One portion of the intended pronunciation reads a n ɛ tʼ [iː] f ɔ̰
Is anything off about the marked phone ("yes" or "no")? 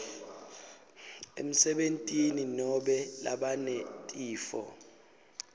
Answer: no